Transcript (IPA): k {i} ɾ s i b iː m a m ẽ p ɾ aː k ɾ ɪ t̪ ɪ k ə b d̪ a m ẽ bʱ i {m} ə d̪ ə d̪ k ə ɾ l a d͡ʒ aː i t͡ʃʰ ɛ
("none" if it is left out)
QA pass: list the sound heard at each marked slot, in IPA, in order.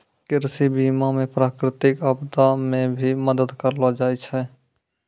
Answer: ɪ, m

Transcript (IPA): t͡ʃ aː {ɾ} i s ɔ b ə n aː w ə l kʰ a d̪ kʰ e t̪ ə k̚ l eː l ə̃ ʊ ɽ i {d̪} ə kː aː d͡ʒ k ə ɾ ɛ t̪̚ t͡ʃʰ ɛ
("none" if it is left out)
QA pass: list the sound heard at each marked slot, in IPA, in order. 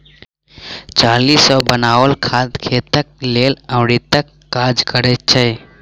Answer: l, t̪

